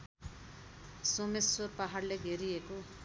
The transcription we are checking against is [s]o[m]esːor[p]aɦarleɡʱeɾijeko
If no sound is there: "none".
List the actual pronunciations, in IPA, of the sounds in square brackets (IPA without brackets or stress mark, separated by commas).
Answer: s, m, p